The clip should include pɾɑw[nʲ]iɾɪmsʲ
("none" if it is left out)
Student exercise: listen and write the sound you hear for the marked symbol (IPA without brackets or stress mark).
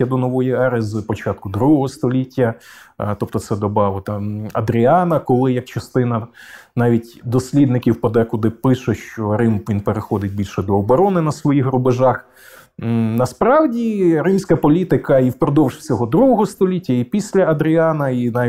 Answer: dʲ